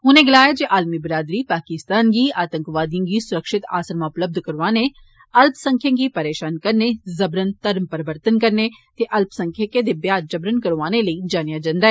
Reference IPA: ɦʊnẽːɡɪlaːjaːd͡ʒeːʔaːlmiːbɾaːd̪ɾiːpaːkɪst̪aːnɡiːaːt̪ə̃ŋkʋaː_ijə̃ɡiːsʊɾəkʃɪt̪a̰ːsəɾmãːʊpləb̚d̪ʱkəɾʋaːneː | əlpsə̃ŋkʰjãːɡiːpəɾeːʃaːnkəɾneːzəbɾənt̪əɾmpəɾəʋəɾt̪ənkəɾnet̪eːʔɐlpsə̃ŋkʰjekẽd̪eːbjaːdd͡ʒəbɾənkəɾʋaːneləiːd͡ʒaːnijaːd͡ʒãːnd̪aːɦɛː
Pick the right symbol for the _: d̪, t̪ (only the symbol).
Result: d̪